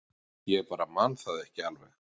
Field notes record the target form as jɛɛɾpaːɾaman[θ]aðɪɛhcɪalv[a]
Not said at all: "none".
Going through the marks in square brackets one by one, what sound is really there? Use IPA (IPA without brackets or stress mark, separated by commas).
θ, ɛ